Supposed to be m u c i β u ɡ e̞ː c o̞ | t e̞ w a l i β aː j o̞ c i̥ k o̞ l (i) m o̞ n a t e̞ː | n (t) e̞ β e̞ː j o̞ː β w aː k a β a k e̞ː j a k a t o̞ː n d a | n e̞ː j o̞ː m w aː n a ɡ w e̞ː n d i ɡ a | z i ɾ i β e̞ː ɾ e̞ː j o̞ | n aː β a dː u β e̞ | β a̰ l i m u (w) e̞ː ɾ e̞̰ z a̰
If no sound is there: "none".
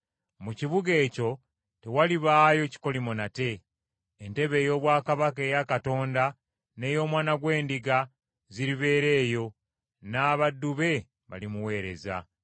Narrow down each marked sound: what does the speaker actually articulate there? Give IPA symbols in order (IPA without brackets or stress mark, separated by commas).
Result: i, t, w